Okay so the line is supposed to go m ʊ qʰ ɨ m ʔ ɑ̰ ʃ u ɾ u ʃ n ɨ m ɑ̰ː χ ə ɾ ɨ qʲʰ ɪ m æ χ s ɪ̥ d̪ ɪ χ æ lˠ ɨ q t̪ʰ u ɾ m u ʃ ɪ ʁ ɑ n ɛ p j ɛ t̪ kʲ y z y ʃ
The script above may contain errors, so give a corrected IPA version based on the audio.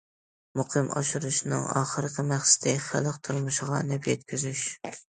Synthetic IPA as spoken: m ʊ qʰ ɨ m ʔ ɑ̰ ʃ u ɾ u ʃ n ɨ ŋ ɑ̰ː χ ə ɾ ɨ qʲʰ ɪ m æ χ s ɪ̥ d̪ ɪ χ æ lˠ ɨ q t̪ʰ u ɾ m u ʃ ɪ ʁ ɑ n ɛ p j ɛ t̪ kʲ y z y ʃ